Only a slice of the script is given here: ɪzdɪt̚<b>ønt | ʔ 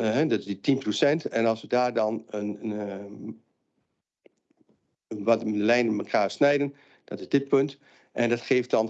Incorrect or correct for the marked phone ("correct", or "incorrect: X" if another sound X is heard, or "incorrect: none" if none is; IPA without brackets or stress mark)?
incorrect: p